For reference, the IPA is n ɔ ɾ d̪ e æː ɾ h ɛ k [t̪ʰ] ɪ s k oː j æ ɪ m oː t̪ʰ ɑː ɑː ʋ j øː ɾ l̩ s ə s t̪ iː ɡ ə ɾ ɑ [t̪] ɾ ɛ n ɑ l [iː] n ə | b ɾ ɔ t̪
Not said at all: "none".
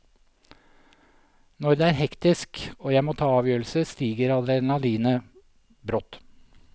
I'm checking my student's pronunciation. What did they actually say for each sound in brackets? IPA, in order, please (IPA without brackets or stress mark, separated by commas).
t̪, d̪, iː